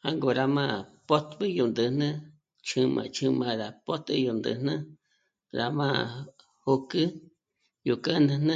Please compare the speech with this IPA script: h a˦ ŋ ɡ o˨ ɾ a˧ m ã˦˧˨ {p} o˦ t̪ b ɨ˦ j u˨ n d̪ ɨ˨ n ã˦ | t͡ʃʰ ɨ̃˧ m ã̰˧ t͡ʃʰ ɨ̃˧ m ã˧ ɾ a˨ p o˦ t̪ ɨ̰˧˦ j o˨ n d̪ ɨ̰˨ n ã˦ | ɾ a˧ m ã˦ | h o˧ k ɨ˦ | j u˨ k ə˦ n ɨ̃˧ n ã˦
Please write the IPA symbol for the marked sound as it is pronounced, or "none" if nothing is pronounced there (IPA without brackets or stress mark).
p